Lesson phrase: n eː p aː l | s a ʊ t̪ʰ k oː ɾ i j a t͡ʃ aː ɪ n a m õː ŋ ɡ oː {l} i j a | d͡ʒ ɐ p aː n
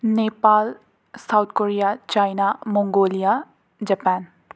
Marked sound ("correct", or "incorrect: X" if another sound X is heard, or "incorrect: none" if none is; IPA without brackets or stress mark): correct